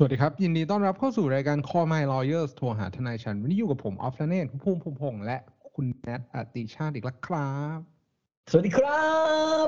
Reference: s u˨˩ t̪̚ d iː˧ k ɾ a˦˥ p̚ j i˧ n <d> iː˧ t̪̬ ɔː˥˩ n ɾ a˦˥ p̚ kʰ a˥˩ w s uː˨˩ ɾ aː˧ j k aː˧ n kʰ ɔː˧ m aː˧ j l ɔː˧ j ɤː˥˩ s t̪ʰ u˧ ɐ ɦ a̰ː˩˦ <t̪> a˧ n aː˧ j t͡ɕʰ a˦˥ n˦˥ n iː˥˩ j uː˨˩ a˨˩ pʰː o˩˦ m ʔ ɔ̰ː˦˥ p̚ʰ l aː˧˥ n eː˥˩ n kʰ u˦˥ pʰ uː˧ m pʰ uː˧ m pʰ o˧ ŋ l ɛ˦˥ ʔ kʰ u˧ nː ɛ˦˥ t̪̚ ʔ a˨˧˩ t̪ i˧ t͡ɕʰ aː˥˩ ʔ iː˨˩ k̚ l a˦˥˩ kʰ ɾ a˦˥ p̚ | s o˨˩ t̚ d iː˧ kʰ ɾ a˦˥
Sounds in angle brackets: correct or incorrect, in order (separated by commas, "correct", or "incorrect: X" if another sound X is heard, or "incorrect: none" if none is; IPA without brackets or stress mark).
correct, incorrect: t̪ʰ